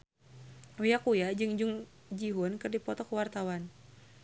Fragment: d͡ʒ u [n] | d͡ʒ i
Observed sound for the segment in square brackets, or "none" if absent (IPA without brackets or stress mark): ŋ